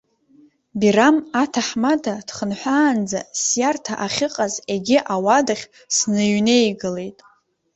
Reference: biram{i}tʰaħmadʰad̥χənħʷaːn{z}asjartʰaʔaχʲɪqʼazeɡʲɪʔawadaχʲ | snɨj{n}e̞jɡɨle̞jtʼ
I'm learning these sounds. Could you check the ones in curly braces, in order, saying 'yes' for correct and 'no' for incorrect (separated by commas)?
no, no, yes